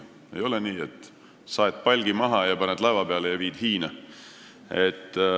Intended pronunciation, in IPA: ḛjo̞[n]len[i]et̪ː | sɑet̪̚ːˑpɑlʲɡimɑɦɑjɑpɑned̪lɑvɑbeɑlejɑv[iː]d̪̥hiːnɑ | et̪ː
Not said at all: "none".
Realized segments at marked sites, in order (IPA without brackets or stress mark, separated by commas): none, iː, iː